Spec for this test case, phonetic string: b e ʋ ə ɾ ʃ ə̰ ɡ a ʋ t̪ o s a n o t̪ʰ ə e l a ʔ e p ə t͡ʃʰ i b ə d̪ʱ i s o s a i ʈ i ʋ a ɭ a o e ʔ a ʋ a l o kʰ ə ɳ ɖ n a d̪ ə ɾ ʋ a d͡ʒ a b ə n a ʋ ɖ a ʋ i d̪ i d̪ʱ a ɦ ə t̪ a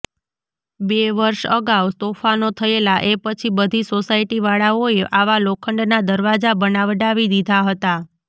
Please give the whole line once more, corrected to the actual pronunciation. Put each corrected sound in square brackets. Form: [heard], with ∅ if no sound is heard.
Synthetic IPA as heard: b e ʋ ə ɾ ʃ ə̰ ɡ a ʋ t̪ o [f] a n o t̪ʰ ə e l a ʔ e p ə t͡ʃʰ i b ə d̪ʱ i s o s a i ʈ i ʋ a ɭ a o e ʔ a ʋ a l o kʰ ə ɳ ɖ n a d̪ ə ɾ ʋ a d͡ʒ a b ə n a ʋ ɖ a ʋ i d̪ i d̪ʱ a ɦ ə t̪ a